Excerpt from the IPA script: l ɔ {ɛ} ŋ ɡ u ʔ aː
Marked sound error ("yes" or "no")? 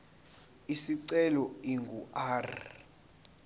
yes